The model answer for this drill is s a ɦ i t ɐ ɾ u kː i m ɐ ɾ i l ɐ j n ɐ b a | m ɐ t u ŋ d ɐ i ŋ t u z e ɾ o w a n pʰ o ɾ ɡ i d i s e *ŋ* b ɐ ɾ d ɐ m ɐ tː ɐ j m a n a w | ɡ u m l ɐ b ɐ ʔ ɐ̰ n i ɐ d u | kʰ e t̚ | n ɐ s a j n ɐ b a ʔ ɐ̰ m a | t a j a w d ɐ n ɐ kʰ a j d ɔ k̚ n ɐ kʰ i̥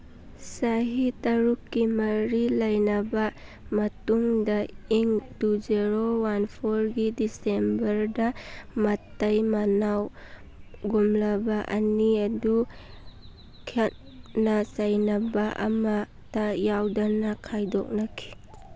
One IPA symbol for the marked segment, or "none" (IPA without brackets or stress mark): m